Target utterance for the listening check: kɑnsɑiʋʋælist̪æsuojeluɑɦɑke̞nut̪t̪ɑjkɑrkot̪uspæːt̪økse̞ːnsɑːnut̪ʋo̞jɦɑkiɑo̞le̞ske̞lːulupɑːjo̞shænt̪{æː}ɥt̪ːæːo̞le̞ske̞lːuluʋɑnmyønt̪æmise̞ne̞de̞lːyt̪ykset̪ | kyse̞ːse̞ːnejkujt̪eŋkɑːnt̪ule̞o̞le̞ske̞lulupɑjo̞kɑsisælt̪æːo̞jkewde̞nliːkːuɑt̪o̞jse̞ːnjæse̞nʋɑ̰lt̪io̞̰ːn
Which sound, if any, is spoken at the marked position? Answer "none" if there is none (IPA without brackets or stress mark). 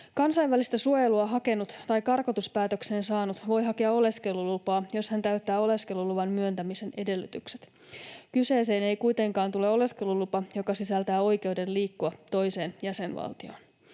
æ